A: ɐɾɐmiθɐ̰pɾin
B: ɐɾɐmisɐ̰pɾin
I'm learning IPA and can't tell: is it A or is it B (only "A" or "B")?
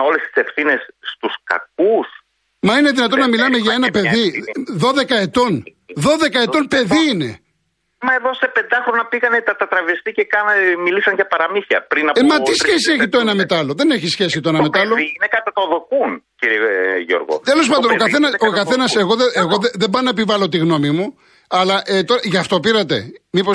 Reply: A